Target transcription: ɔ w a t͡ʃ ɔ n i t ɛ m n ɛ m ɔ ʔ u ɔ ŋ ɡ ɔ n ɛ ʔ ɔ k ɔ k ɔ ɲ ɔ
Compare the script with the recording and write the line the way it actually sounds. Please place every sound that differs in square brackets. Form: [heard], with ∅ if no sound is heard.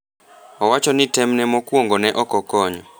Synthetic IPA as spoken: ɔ w a t͡ʃ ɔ n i t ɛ m n ɛ m ɔ [k] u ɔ ŋ ɡ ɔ n ɛ ʔ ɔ k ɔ k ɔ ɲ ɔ